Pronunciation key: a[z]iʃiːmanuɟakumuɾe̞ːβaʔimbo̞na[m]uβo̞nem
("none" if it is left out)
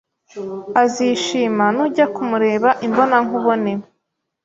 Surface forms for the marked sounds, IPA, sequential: z, ŋ

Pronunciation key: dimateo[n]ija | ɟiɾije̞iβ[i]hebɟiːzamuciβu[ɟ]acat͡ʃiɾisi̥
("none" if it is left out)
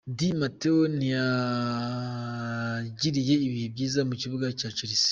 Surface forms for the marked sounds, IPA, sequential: n, i, ɡ

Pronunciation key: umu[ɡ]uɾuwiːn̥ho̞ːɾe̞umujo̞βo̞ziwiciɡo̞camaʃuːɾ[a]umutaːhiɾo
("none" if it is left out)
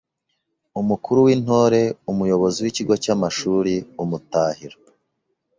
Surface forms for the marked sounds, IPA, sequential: k, i

